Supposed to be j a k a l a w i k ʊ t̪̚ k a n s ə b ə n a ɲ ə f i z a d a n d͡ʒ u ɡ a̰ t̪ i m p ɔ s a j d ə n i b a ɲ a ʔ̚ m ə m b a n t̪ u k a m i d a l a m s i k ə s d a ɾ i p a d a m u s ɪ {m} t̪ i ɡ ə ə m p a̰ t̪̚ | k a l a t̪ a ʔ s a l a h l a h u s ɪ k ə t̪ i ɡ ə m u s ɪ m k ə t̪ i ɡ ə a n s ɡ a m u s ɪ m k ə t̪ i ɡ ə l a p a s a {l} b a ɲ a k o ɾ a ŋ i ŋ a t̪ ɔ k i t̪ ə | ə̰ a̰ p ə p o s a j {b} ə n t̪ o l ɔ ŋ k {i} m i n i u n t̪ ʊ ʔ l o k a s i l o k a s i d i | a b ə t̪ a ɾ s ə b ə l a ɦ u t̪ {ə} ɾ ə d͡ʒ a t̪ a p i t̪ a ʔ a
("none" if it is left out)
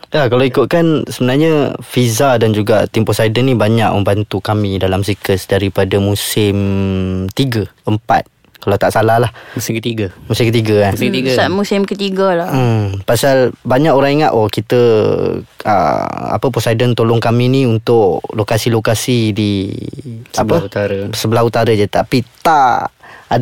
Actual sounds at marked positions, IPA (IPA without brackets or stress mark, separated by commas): m, l, d, a, a